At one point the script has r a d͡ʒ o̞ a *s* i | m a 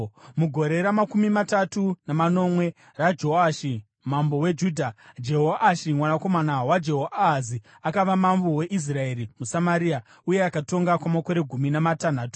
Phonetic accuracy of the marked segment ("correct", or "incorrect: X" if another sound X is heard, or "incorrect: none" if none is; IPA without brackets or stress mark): incorrect: ʃ